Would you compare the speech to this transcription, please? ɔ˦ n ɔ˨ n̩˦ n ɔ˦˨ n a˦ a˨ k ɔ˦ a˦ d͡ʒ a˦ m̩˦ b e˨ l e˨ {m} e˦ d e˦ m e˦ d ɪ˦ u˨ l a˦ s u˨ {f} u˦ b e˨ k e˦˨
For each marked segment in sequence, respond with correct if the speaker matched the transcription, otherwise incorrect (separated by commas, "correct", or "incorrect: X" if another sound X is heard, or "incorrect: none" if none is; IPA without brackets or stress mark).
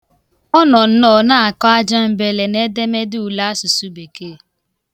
incorrect: n, incorrect: s